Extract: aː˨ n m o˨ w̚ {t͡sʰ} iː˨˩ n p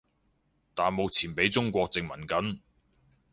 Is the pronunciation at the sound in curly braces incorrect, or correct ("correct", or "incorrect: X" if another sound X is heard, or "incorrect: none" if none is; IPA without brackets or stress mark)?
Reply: correct